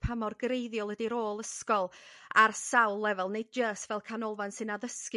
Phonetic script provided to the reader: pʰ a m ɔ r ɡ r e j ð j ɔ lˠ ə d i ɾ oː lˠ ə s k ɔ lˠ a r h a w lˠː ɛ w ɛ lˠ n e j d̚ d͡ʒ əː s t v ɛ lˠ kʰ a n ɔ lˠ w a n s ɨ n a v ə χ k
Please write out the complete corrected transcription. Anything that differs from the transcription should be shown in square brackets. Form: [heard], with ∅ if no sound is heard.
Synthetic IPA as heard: pʰ a m ɔ r ɡ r e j ð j ɔ lˠ ə d i ɾ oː lˠ ə s k ɔ lˠ a r [s] a w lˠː ɛ [v] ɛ lˠ n e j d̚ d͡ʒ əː s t v ɛ lˠ kʰ a n ɔ lˠ [v] a n s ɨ n a [ð] ə [s] k